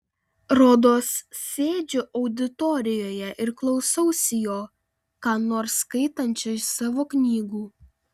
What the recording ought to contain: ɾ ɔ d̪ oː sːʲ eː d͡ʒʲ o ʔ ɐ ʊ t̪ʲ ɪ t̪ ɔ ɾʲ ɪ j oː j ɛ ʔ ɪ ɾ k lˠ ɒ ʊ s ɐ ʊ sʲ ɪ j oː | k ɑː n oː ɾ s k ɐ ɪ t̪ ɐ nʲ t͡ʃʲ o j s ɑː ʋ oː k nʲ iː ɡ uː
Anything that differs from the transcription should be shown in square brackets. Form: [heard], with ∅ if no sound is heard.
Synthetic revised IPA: ɾ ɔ d̪ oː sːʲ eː d͡ʒʲ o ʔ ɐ ʊ [d̪ʲ] ɪ t̪ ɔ ɾʲ ɪ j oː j ɛ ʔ ɪ ɾ k lˠ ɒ ʊ s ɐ ʊ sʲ ɪ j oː | k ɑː n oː ɾ s k ɐ ɪ t̪ ɐ nʲ t͡ʃʲ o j s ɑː ʋ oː k nʲ iː ɡ uː

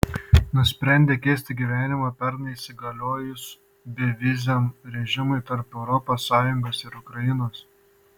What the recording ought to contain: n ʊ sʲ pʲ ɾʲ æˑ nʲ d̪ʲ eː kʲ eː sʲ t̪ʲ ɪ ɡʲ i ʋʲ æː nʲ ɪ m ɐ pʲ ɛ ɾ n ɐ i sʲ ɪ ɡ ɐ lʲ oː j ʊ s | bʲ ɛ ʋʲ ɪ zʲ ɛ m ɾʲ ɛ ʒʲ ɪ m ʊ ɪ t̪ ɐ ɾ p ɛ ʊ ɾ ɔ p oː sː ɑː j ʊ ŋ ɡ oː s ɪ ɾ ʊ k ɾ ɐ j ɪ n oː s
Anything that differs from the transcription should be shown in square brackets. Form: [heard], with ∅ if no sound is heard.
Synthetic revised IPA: n ʊ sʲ pʲ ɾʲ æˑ nʲ d̪ʲ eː kʲ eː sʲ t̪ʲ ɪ ɡʲ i ʋʲ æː nʲ ɪ m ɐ pʲ ɛ ɾ n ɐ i sʲ ɪ ɡ ɐ lʲ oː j ʊ s | bʲ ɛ ʋʲ ɪ zʲ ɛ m ɾʲ ɛ ʒʲ ɪ m ʊ ɪ t̪ ɐ ɾ p ɛ ʊ ɾ ɔ p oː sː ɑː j ʊ ŋ ɡ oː s ɪ ɾ ʊ k ɾ ɐ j ɪ n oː s

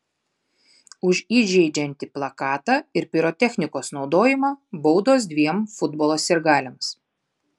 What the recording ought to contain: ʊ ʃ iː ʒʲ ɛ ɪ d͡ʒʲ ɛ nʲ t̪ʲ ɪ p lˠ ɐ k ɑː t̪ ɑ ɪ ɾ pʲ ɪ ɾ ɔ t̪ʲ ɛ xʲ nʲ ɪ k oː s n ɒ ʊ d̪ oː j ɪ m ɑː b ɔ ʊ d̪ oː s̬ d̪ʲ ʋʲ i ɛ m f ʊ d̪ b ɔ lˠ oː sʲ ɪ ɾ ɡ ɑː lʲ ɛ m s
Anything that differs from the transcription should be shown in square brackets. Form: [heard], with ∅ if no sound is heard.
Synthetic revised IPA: ʊ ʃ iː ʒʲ ɛ ɪ d͡ʒʲ ɛ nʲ t̪ʲ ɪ p lˠ ɐ k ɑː t̪ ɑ ɪ ɾ pʲ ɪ ɾ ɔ t̪ʲ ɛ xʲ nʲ ɪ k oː s n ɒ ʊ d̪ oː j ɪ m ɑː b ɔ ʊ d̪ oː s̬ d̪ʲ ʋʲ i ɛ m f ʊ d̪ b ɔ lˠ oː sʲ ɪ ɾ ɡ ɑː lʲ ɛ m s

